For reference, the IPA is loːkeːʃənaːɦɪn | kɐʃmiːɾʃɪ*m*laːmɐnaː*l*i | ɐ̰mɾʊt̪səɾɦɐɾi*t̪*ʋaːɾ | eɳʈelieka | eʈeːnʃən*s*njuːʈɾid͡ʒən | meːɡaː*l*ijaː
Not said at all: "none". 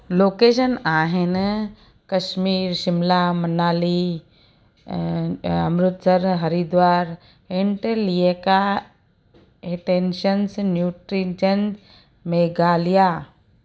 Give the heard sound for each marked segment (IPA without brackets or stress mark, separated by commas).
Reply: m, l, d̪, s, l